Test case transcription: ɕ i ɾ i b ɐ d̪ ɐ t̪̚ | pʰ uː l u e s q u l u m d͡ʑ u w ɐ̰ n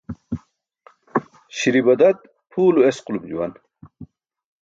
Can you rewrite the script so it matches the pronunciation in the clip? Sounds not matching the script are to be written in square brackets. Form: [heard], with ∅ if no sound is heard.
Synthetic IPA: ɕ i ɾ i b ɐ d̪ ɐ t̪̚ | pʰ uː l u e s q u l u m d͡ʑ u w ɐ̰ n